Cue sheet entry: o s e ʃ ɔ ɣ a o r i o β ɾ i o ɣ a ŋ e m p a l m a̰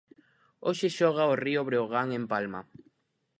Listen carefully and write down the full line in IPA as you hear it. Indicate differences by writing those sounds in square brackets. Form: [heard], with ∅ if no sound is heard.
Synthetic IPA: o [ʃ] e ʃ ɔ ɣ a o r i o β ɾ [e] o ɣ a ŋ e m p a l m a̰